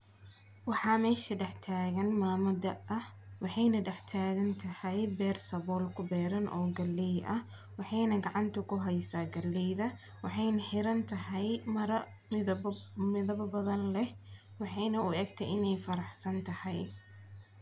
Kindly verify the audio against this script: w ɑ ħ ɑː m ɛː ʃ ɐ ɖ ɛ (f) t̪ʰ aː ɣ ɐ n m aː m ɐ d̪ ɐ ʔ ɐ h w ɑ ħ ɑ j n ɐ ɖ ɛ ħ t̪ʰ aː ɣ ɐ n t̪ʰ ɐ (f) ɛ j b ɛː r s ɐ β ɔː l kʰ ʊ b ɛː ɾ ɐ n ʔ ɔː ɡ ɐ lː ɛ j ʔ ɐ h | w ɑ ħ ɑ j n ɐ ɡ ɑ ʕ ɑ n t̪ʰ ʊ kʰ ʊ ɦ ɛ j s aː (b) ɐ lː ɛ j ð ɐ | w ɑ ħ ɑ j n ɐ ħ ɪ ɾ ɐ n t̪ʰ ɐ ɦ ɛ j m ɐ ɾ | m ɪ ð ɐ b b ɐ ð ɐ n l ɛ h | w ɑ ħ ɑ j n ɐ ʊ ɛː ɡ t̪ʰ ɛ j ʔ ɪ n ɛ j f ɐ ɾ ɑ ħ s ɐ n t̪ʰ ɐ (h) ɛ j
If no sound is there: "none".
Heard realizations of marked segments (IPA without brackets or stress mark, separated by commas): ħ, h, ɡ, h